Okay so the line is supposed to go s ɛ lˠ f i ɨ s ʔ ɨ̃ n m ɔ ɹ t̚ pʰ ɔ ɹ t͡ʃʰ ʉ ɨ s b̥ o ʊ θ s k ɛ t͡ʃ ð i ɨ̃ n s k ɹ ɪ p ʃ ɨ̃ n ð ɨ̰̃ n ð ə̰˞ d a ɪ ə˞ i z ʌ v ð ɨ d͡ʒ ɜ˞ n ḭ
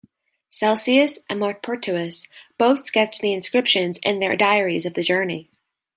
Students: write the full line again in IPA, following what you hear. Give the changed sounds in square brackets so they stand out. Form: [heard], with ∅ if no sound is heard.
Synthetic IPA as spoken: s ɛ lˠ [s] i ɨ s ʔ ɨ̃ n m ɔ ɹ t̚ pʰ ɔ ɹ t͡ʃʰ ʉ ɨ s b̥ o ʊ θ s k ɛ t͡ʃ ð i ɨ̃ n s k ɹ ɪ p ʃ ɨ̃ n [z] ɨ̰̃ n ð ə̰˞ d a ɪ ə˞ i z ʌ v ð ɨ d͡ʒ ɜ˞ n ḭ